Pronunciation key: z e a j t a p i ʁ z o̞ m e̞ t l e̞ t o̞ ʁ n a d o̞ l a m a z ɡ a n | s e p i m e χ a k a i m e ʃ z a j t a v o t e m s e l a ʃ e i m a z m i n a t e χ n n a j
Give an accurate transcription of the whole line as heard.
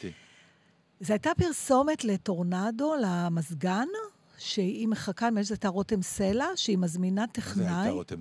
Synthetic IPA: z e a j t a p i ʁ s o̞ m e̞ t l e̞ t o̞ ʁ n a d o̞ l a m a z ɡ a n | ʃ e i m e χ a k a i m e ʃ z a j t a ʁ o t e m s e l a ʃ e i m a z m i n a t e χ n n a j